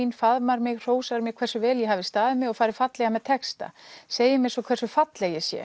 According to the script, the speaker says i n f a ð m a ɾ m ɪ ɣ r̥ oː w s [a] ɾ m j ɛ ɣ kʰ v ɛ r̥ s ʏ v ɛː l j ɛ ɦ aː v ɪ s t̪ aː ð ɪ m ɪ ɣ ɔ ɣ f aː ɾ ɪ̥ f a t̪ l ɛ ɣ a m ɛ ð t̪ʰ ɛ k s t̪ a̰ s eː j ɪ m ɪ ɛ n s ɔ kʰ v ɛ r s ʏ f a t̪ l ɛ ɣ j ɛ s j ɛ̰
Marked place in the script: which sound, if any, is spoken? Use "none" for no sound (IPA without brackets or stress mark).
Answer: a